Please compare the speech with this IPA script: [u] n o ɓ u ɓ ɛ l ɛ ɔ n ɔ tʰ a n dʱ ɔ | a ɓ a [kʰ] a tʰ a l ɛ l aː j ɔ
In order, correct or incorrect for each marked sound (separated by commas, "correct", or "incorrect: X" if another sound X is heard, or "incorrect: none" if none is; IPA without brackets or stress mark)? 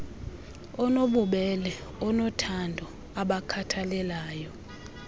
incorrect: ɔ, correct